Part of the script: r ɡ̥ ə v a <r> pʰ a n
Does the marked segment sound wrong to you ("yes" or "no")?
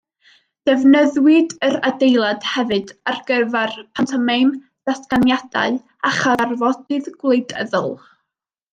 no